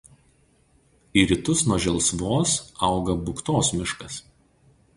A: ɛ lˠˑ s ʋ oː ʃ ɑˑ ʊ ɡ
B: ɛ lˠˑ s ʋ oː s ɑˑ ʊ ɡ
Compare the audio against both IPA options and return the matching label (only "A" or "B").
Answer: B